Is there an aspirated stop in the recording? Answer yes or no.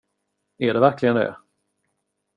no